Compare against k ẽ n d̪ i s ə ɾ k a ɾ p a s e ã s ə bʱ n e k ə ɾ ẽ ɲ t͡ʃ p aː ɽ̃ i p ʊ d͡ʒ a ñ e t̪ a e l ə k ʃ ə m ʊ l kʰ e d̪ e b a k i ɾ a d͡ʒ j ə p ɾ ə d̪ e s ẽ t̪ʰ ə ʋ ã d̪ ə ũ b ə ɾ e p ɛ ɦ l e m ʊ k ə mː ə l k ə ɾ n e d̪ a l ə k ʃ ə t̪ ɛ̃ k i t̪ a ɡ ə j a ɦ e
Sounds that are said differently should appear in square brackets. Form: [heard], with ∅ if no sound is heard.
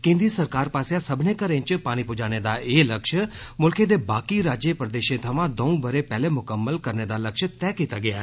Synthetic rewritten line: k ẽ n d̪ i s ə ɾ k a ɾ p a s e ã s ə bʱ n e k ə ɾ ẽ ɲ t͡ʃ p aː ɽ̃ i p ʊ d͡ʒ a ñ e [d̪] a e l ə k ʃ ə m ʊ l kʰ e d̪ e b a k i ɾ a d͡ʒ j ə p ɾ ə d̪ e [ʃ] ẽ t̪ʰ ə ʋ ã d̪ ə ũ b ə ɾ e p ɛ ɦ l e m ʊ k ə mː ə l k ə ɾ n e d̪ a l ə k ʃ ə t̪ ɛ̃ k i t̪ a ɡ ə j a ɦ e